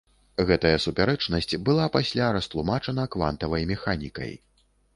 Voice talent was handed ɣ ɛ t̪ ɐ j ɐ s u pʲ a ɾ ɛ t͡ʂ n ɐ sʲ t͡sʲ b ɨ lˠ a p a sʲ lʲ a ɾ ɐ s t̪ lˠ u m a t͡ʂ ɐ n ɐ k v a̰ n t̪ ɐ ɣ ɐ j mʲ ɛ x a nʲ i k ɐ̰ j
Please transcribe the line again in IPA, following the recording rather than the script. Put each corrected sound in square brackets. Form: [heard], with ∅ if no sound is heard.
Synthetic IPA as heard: ɣ ɛ t̪ ɐ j ɐ s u pʲ a ɾ ɛ t͡ʂ n ɐ sʲ t͡sʲ b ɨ lˠ a p a sʲ lʲ a ɾ ɐ s t̪ lˠ u m a t͡ʂ ɐ n ɐ k v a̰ n t̪ ɐ [v] ɐ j mʲ ɛ x a nʲ i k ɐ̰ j